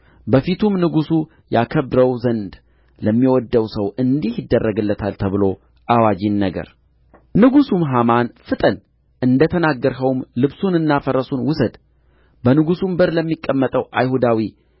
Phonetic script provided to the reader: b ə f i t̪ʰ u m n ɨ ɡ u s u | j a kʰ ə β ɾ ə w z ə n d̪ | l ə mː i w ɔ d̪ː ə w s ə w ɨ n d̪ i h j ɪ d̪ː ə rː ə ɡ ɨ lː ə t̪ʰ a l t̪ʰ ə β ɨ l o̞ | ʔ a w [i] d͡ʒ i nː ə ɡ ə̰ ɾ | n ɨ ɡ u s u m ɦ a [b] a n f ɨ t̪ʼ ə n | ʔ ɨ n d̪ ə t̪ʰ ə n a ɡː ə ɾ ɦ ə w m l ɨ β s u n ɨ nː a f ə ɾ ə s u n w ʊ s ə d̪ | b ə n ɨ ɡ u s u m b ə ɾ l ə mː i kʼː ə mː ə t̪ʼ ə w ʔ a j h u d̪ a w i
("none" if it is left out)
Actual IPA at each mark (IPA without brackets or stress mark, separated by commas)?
a, m